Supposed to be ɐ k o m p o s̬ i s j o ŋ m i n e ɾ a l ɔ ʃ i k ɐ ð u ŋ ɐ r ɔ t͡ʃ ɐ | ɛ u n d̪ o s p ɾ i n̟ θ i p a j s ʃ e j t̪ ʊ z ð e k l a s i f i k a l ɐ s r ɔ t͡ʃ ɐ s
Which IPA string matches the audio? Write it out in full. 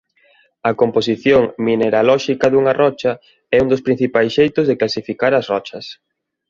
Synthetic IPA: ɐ k o m p o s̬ i θ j o ŋ m i n e ɾ a l ɔ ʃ i k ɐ ð u ŋ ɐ r ɔ t͡ʃ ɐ | ɛ u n d̪ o s p ɾ i n̟ θ i p a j s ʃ e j t̪ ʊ z ð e k l a s i f i k a ɾ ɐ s r ɔ t͡ʃ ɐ s